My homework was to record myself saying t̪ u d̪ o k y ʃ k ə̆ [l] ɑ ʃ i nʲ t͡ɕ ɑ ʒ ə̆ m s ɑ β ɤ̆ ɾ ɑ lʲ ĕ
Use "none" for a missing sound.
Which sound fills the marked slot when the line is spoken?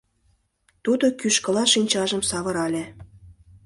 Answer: l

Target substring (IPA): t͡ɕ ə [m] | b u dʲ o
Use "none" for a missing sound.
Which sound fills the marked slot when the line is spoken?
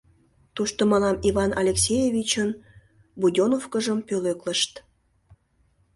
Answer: n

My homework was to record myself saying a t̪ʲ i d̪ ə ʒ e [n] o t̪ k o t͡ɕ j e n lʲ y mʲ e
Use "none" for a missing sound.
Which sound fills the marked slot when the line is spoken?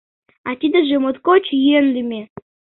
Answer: m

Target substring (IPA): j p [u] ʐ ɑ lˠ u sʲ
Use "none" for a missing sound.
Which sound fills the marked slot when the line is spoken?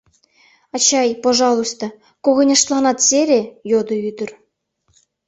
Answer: o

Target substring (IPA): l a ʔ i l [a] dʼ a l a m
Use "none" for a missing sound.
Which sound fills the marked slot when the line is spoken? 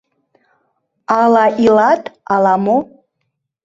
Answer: a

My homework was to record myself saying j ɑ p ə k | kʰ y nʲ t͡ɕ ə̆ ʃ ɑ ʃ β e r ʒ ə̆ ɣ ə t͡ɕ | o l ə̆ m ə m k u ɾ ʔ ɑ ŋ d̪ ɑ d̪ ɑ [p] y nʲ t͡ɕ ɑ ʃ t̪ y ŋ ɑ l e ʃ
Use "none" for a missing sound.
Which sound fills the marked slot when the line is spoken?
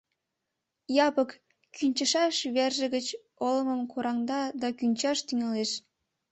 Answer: k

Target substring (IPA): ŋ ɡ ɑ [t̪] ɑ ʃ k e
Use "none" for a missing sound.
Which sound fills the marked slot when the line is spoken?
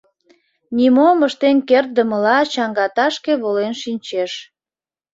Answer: t̪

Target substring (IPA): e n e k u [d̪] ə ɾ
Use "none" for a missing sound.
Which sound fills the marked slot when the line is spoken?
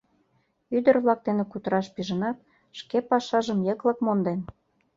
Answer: t̪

